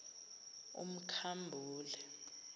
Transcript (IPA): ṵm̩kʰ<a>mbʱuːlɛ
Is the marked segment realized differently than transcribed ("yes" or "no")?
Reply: no